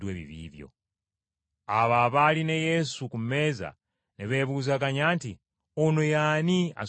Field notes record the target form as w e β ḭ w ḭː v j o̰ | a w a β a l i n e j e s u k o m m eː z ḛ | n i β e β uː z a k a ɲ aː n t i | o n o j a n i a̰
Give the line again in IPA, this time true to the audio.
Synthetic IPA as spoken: w e β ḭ β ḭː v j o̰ | a β a β a l i n e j e s u k u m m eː z a̰ | n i β e β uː z a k a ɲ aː n t i | o n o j a n i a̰